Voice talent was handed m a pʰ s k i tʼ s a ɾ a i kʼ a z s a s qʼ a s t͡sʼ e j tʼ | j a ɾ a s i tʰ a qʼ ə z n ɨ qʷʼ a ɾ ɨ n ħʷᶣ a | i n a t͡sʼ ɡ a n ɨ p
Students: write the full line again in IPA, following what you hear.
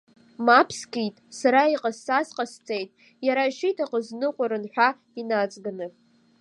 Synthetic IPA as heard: m a pʰ s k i tʼ s a ɾ a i qʼ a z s a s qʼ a s t͡sʼ e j tʼ | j a ɾ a ʃ i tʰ a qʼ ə z n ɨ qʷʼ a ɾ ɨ n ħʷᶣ a | i n a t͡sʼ ɡ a n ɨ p